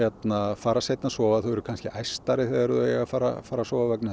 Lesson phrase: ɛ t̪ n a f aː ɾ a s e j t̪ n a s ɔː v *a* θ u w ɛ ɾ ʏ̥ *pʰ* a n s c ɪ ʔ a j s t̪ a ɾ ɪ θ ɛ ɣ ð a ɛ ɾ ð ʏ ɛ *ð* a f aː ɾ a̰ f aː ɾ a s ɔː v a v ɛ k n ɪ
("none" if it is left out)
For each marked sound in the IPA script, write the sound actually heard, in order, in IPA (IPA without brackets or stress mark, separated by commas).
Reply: a, kʰ, ɣ